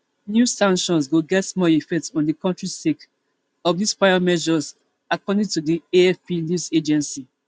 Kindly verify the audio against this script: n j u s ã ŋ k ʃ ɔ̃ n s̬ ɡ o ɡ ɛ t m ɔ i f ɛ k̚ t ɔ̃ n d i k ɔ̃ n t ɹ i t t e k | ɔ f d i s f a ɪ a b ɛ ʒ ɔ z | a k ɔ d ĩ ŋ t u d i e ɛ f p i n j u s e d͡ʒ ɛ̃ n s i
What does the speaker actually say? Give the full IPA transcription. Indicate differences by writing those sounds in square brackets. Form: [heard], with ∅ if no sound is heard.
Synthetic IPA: n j u s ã ŋ k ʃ ɔ̃ n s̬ ɡ o ɡ ɛ t m ɔ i f ɛ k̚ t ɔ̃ n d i k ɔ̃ n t ɹ i [s] t e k | ɔ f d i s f a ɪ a [m] ɛ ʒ ɔ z | a k ɔ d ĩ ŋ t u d i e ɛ f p i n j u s e d͡ʒ ɛ̃ n s i